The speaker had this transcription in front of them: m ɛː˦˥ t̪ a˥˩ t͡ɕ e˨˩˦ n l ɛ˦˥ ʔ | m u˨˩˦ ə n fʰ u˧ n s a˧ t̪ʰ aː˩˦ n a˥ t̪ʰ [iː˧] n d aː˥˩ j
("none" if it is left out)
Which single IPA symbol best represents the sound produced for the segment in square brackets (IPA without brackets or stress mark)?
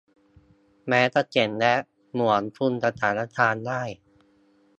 aː˧